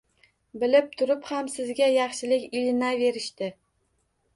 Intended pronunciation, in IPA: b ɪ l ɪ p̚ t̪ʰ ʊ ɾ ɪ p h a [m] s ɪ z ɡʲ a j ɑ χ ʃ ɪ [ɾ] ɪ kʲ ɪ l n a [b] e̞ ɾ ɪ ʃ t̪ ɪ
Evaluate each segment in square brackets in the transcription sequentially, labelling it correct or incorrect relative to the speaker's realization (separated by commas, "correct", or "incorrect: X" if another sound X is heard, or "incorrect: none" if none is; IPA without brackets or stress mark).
correct, incorrect: l, incorrect: v